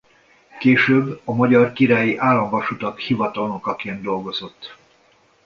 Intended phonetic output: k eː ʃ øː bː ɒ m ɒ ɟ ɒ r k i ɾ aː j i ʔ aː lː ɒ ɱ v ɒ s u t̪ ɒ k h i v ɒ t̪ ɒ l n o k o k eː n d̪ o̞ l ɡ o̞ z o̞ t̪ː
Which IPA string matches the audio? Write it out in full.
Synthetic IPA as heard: k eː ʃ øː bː ɒ m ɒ ɟ ɒ r k i ɾ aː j i ʔ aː lː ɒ ɱ v ɒ ʃ u t̪ ɒ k h i v ɒ t̪ ɒ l n o k ɒ k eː n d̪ o̞ l ɡ o̞ z o̞ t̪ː

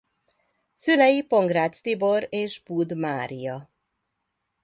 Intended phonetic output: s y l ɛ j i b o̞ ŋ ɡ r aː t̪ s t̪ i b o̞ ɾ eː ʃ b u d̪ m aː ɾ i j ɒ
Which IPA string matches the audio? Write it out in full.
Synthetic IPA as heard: s y l ɛ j i p o̞ ŋ ɡ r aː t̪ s t̪ i b o̞ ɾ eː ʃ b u d̪ m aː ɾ i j ɒ

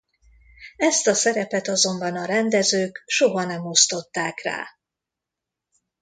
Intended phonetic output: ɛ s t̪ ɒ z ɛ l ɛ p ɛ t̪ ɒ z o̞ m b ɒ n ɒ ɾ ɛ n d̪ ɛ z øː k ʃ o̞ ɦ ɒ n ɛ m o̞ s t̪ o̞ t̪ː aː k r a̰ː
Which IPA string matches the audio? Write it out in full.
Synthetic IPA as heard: ɛ s t̪ ɒ s ɛ ɾ ɛ p ɛ t̪ ɒ z o̞ m b ɒ n ɒ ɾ ɛ n d̪ ɛ z øː k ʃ o̞ ɦ ɒ n ɛ m o̞ s t̪ o̞ t̪ː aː k r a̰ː

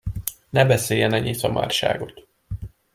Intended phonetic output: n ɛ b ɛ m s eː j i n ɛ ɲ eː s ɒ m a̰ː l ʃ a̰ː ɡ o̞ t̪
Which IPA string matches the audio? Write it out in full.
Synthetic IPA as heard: n ɛ b ɛ s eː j ɛ n ɛ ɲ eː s ɒ m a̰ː r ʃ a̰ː ɡ o̞ t̪

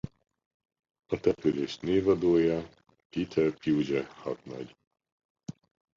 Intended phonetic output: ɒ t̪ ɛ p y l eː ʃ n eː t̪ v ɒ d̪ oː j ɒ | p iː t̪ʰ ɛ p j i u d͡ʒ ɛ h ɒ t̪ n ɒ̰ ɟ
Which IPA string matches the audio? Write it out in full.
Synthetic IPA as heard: ɒ t̪ ɛ p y l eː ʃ n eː v ɒ d̪ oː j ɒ | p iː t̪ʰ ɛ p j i u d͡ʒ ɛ h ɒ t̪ n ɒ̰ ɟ

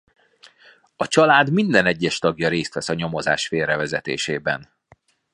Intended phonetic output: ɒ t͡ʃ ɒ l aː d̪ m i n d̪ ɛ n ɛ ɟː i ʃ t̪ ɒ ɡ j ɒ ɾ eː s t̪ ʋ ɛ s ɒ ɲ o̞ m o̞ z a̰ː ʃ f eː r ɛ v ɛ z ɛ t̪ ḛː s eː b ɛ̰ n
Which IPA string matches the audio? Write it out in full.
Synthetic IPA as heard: ɒ t͡ʃ ɒ l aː d̪ m i n d̪ ɛ n ɛ ɟː ɛ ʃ t̪ ɒ ɡ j ɒ ɾ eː s t̪ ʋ ɛ s ɒ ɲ o̞ m o̞ z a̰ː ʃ f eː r ɛ v ɛ z ɛ t̪ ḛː ʃ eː b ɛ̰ n

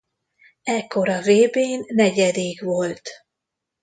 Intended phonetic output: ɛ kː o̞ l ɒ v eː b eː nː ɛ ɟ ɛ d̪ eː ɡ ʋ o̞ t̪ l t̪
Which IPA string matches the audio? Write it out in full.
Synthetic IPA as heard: ɛ kː o̞ ɾ ɒ v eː b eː nː ɛ ɟ ɛ d̪ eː ɡ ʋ o̞ l t̪

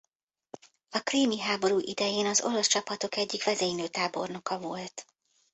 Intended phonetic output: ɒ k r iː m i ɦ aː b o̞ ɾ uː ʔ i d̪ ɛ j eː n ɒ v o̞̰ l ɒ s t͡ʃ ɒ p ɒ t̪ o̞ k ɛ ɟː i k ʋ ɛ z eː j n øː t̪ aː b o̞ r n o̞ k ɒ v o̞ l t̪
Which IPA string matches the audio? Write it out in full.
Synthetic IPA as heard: ɒ k r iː m i ɦ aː b o̞ ɾ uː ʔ i d̪ ɛ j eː n ɒ z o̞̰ l ɒ s t͡ʃ ɒ p ɒ t̪ o̞ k ɛ ɟː i k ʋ ɛ z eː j n øː t̪ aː b o̞ r n o̞ k ɒ v o̞ l t̪

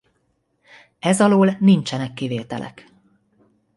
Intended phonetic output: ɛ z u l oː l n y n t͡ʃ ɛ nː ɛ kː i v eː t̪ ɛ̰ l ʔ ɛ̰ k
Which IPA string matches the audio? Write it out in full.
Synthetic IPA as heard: ɛ z ɒ l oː l n i n t͡ʃ ɛ n ɛ kː i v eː t̪ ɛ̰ l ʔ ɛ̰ k

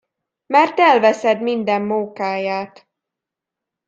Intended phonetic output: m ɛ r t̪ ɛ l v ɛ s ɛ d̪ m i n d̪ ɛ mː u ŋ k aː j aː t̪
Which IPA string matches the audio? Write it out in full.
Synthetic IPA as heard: m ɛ r t̪ ɛ l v ɛ s ɛ d̪ m i n d̪ ɛ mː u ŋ k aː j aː t̪

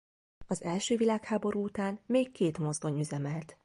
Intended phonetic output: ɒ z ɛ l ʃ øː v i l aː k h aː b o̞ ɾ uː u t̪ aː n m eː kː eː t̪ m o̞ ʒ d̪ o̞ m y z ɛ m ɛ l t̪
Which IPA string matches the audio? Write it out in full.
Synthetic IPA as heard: ɒ z ɛ l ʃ øː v i l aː k h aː b o̞ ɾ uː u t̪ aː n m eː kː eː t̪ m o̞ z d̪ o̞ ɲ y z ɛ m ɛ l t̪

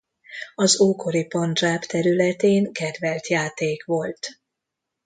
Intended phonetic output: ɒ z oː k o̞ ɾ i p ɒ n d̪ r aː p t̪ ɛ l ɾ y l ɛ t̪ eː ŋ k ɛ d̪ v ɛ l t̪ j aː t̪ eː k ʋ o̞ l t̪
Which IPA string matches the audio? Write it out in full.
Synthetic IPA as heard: ɒ z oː k o̞ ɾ i p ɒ n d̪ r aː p t̪ ɛ ɾ y l ɛ t̪ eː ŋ k ɛ d̪ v ɛ l t̪ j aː t̪ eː k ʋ o̞ l t̪

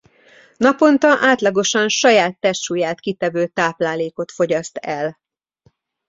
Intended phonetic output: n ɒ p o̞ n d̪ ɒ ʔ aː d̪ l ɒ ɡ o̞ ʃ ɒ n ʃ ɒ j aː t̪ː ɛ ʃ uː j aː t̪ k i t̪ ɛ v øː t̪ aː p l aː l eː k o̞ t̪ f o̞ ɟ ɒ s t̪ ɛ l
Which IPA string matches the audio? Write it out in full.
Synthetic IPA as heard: n ɒ p o̞ n t̪ ɒ ʔ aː t̪ l ɒ ɡ o̞ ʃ ɒ n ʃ ɒ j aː t̪ː ɛ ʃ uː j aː t̪ k i t̪ ɛ v øː t̪ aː p l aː l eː k o̞ t̪ f o̞ ɟ ɒ s t̪ ɛ l

